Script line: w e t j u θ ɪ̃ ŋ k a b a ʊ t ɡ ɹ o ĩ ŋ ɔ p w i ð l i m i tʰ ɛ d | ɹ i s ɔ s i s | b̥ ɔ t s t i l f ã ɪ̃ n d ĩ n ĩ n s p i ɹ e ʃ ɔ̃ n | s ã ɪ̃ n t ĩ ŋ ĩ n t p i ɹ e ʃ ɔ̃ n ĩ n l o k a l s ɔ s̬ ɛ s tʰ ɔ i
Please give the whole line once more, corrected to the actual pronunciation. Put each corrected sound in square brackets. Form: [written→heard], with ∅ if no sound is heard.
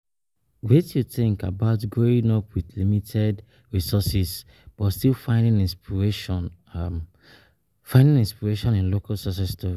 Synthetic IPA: w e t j u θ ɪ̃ ŋ k a b a ʊ t ɡ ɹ o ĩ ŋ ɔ p w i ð l i m i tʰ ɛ d | ɹ i s ɔ s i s | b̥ ɔ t s t i l f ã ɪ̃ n d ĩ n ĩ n s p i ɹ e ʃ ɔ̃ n | [s→f] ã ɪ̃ n [t→d] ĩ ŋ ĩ n [t→s] p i ɹ e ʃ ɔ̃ n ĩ n l o k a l s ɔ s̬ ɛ s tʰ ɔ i

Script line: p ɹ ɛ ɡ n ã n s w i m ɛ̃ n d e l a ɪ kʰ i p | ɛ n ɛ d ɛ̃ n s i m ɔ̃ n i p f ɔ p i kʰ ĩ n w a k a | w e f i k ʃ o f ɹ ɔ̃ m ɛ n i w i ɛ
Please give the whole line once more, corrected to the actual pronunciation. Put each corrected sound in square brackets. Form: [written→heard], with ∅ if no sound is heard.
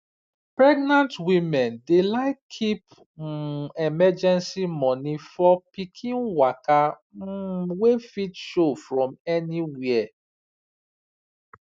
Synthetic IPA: p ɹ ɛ ɡ n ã n [s→t] w i m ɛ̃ n d e l a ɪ kʰ i p | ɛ [n→m] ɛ [d→d͡ʒ] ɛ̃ n s i m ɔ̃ n i [p→∅] f ɔ p i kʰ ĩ n w a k a | w e f i [k→t] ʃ o f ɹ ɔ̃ m ɛ n i w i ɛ

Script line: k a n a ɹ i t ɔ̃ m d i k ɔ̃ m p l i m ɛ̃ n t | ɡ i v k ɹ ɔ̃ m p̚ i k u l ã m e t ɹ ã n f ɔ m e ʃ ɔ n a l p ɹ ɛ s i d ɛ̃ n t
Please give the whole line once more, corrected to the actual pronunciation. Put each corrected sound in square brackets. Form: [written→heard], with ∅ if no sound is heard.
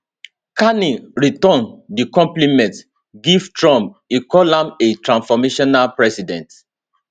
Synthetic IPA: k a n [a→i] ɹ i t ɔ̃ [m→n] d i k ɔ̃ m p l i m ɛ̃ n t | ɡ i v [k→t] ɹ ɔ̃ m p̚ i k [u→ɔ] l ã m e t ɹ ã n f ɔ m e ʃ ɔ n a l p ɹ ɛ s i d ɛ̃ n t

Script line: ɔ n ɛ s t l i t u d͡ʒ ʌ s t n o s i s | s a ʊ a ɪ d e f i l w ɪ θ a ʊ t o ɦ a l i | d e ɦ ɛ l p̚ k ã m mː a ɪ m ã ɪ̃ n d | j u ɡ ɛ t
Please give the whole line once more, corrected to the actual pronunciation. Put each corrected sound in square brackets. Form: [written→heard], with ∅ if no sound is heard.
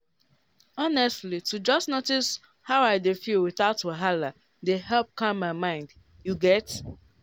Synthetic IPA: ɔ n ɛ s t l i t u d͡ʒ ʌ s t n o [s→t] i s | [s→h] a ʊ a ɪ d e f i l w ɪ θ a ʊ t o ɦ a l [i→a] | d e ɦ ɛ l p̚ k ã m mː a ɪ m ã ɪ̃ n d | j u ɡ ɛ t

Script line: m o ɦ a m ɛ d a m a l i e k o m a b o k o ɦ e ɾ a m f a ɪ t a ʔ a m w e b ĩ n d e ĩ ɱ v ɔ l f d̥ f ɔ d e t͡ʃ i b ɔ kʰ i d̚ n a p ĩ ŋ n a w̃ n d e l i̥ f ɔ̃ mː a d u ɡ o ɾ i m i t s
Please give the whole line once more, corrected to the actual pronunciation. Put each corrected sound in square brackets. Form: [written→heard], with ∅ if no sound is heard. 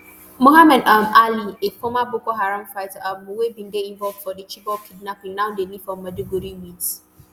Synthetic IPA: m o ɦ a m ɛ d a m a l i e k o m a b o k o ɦ [e→a] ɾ a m f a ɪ t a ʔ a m w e b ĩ n d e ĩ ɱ v ɔ l [f→v] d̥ f ɔ d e t͡ʃ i b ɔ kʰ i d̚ n a p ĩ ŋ n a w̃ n d e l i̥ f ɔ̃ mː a d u ɡ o ɾ i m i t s

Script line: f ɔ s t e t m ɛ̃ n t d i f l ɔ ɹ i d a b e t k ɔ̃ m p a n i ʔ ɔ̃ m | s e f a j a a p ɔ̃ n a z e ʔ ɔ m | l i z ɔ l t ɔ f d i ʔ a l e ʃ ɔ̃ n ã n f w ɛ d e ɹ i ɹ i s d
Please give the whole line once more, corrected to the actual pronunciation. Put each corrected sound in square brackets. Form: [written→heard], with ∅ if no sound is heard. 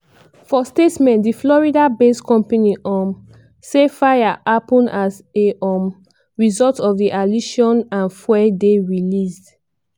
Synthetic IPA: f ɔ s t e t m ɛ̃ n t d i f l ɔ ɹ i d a b e [t→s] k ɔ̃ m p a n i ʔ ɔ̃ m | s e f a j a a p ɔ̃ n a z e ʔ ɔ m | [l→ɹ] i z ɔ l t ɔ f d i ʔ a l [e→i] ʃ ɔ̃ n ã n f w ɛ d e ɹ i [ɹ→l] i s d

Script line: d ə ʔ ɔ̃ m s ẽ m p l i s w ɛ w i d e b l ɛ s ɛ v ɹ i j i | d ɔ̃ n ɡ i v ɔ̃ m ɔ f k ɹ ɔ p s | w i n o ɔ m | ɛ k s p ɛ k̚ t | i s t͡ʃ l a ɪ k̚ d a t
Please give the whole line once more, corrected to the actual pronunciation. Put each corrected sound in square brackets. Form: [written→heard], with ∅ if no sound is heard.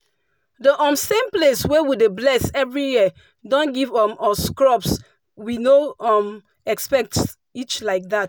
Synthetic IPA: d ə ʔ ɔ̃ m s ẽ m p l [i→e] s w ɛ w i d e b l ɛ s ɛ v ɹ i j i | d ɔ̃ n ɡ i v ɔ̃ m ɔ [f→s] k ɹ ɔ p s | w i n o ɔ m | ɛ k s p ɛ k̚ t | i [s→∅] t͡ʃ l a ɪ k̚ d a t

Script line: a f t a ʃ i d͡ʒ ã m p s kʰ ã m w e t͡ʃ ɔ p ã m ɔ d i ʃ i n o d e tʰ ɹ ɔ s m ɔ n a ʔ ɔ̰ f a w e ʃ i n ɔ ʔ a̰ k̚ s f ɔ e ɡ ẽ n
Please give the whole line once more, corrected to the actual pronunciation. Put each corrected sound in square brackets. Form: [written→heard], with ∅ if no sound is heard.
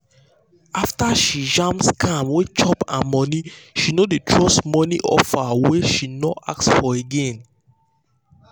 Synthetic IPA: a f t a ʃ i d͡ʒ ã m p s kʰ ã m w e t͡ʃ ɔ p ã m ɔ [d→n] i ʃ i n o d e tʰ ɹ ɔ s m ɔ n [a→i] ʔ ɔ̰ f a w e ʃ i n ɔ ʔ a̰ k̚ s f ɔ e ɡ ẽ n

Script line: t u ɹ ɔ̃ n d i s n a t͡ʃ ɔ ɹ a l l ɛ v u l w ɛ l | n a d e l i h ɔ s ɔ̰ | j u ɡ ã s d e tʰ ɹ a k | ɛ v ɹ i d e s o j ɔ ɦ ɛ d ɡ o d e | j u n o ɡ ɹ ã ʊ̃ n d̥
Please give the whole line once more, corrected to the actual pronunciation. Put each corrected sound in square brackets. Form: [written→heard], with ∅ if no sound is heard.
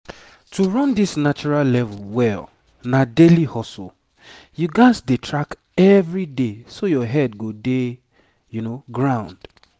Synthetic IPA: t u ɹ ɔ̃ n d i s n a t͡ʃ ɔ ɹ a l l ɛ v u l w ɛ l | n a d e l i h ɔ s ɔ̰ | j u ɡ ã s d e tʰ ɹ a k | ɛ v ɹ i d e s o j ɔ ɦ ɛ d ɡ o d e | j u n o ɡ ɹ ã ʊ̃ n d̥

